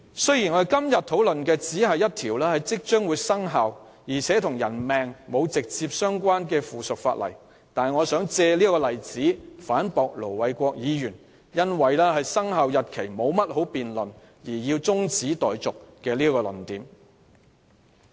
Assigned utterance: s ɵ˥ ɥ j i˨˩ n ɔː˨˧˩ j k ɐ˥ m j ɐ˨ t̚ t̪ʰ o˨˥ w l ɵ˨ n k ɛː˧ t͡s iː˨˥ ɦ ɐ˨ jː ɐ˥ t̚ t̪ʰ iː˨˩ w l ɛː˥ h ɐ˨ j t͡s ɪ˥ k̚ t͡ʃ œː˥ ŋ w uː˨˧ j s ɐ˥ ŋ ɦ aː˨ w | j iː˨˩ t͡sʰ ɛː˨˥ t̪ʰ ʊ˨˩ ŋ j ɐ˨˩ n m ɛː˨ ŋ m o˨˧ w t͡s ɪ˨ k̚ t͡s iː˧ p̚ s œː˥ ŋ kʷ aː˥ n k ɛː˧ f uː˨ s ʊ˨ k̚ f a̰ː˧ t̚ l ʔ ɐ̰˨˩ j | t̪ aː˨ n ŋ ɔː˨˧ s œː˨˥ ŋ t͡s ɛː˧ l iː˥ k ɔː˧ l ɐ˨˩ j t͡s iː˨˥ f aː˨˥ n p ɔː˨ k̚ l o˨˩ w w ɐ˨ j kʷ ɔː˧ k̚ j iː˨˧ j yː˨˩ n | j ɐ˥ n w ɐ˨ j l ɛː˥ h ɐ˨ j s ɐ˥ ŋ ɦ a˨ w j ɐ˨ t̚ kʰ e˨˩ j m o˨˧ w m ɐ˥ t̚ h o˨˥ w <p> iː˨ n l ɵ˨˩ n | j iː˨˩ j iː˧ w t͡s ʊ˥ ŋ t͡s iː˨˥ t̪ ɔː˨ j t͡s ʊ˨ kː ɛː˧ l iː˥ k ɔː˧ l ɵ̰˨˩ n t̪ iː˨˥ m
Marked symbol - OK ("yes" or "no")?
yes